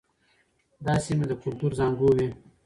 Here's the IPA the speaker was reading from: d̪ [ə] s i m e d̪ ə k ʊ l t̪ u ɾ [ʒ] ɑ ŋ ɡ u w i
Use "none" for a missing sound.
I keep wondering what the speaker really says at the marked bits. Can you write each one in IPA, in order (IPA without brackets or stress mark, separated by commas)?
ɑ, z